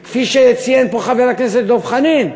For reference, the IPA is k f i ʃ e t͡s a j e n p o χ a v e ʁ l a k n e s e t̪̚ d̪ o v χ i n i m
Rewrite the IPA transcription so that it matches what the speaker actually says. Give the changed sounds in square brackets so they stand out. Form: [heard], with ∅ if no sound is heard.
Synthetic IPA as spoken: k f i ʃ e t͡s [i] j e n p o χ a v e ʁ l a k n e s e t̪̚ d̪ o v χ [a] n i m